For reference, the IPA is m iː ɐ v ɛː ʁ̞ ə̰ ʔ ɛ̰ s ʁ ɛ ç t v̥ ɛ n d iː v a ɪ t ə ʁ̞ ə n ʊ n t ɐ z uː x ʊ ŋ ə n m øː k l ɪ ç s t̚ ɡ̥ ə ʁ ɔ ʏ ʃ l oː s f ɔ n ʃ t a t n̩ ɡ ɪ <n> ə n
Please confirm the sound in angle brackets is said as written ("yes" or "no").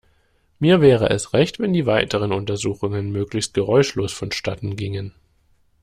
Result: no